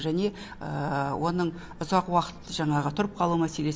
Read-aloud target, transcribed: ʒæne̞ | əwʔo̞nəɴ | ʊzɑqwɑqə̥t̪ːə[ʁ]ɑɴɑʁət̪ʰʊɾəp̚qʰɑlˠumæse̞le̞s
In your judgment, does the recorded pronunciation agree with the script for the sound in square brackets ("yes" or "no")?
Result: no